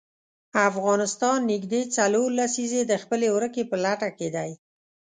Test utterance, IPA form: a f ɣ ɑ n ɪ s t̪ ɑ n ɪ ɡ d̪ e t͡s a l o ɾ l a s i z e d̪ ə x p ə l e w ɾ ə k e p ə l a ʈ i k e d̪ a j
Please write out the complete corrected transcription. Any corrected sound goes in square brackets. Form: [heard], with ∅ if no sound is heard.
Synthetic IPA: a f ɣ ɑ n ɪ s t̪ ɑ [nː] ɪ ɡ d̪ e t͡s a l o ɾ l a s i z e d̪ ə x p ə l e w ɾ ə k e p ə l a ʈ [a] k e d̪ a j